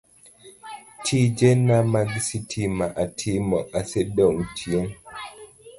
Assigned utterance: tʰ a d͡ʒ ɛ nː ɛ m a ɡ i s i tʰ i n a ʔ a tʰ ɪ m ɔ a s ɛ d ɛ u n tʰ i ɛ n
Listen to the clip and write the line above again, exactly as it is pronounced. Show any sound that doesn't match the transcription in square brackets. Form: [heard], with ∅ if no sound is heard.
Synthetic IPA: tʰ [i] d͡ʒ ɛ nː [a] m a ɡ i s i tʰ i [m] a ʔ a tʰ [i] m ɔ a s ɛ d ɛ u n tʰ i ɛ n